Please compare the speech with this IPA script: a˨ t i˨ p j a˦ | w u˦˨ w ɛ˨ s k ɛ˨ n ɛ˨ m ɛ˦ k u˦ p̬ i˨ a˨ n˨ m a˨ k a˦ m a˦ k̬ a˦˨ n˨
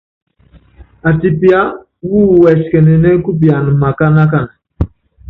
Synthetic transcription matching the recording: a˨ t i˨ p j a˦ | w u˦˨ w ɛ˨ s k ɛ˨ n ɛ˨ n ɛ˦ k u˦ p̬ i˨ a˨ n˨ m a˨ k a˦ n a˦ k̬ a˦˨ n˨